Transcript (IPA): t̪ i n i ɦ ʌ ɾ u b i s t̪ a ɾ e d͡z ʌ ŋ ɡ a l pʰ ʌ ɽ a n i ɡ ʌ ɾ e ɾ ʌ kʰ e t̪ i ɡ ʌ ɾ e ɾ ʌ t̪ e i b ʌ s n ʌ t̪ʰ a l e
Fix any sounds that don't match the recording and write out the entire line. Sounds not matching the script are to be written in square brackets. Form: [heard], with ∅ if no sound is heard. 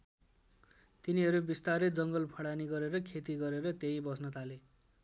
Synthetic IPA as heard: t̪ i n i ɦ ʌ ɾ u b i s t̪ a ɾ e d͡z ʌ ŋ ɡ [ʌ] l pʰ ʌ ɽ a n i ɡ ʌ ɾ e ɾ ʌ kʰ e t̪ i ɡ ʌ ɾ e ɾ ʌ t̪ e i b ʌ s n ʌ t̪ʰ a l e